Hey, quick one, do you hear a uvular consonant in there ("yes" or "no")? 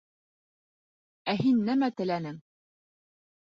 no